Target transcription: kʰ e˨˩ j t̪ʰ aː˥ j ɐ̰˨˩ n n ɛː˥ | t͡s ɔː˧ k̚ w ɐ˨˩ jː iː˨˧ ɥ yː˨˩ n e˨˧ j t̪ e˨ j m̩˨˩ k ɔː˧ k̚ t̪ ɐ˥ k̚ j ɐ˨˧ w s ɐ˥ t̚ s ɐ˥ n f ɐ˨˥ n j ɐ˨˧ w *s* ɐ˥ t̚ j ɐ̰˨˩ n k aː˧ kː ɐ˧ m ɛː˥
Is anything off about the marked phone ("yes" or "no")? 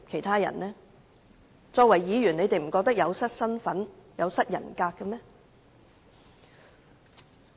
no